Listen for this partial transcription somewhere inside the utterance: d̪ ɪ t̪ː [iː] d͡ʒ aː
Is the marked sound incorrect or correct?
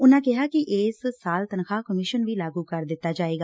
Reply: incorrect